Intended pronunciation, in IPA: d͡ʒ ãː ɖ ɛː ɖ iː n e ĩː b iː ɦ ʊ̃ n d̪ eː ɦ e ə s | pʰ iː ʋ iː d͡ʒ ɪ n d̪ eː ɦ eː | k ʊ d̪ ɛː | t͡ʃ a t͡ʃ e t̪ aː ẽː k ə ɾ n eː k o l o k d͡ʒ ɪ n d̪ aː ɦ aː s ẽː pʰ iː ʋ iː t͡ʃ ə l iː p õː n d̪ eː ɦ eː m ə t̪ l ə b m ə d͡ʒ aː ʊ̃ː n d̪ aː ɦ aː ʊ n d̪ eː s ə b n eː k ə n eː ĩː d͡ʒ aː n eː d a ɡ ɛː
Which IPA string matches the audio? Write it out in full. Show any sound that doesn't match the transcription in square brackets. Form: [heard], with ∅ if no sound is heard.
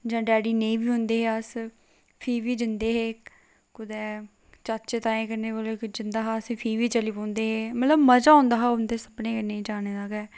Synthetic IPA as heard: d͡ʒ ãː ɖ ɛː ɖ iː n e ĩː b iː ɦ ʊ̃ n d̪ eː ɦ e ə s | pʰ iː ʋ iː d͡ʒ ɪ n d̪ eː ɦ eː | k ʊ d̪ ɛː | t͡ʃ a t͡ʃ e t̪ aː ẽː k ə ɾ n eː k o l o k d͡ʒ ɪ n d̪ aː ɦ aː s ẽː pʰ iː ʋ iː t͡ʃ ə l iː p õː n d̪ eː ɦ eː m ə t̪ l ə b m ə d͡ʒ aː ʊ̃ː n d̪ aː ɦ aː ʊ n d̪ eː s ə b n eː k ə n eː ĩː d͡ʒ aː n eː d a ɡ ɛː